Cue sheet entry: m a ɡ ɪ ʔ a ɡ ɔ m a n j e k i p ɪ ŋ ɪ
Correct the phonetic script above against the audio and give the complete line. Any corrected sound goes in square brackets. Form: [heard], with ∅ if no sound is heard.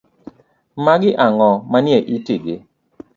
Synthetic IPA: m a ɡ ɪ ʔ a [ŋ] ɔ m a n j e [ʔ] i [t] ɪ [ɡ] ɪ